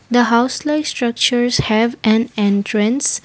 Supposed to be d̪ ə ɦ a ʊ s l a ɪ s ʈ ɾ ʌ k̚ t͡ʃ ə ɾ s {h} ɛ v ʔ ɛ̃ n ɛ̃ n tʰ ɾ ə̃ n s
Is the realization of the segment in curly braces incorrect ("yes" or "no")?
no